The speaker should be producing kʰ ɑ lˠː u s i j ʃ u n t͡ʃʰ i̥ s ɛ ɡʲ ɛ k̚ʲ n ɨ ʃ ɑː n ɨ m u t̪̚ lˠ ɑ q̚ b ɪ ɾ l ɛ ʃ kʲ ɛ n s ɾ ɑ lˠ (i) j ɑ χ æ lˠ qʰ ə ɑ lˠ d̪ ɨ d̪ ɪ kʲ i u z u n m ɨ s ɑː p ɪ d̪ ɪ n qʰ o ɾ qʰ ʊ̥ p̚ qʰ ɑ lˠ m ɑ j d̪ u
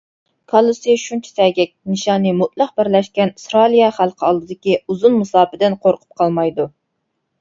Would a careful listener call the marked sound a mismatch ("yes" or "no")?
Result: no